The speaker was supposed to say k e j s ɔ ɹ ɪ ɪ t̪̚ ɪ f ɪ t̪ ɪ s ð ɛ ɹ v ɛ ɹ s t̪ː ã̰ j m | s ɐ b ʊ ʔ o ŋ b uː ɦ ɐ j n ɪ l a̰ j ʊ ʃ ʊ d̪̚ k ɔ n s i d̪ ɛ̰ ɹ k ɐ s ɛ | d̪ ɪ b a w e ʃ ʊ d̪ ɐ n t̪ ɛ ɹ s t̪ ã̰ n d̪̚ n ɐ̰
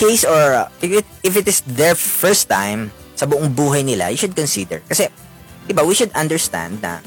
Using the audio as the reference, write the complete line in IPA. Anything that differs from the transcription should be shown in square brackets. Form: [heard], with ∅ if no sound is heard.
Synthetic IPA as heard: k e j s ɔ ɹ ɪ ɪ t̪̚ ɪ f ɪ t̪ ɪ s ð ɛ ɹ [f] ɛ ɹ s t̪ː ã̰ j m | s ɐ b ʊ ʔ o ŋ b uː ɦ ɐ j n ɪ l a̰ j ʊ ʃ ʊ d̪̚ k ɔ n s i d̪ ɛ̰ ɹ k ɐ s ɛ | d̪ ɪ b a w [i] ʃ ʊ d̪ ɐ n [d̪] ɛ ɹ s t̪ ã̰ n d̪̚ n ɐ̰